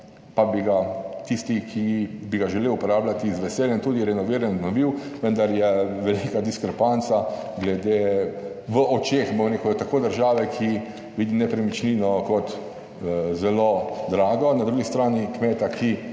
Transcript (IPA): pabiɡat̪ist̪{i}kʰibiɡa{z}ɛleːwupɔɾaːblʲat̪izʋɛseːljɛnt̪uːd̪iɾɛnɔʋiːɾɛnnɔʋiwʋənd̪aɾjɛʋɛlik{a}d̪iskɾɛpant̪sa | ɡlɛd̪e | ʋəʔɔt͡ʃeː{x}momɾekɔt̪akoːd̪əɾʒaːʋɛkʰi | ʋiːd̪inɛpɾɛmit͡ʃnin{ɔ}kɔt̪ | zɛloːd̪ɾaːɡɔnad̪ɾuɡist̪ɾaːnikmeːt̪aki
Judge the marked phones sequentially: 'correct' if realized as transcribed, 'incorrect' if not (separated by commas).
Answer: correct, incorrect, correct, correct, correct